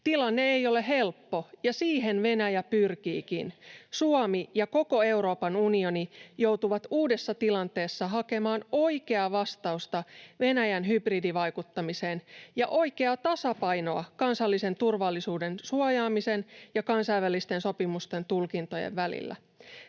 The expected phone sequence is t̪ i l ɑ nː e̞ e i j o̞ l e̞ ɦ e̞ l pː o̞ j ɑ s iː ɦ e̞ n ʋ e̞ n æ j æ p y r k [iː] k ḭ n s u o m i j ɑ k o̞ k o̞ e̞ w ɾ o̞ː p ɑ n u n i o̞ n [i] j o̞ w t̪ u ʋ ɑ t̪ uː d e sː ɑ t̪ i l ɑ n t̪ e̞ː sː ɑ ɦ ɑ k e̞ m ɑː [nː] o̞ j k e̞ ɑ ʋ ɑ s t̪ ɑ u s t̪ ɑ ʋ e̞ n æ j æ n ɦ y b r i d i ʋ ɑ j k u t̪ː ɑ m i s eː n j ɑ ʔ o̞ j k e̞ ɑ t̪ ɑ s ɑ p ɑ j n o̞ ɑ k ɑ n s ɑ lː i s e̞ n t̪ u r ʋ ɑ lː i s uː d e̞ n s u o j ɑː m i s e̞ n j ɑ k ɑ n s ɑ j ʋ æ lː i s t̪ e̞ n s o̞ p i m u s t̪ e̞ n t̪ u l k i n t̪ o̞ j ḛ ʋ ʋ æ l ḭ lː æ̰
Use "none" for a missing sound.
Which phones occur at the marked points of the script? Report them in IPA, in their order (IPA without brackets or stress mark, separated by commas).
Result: iː, i, n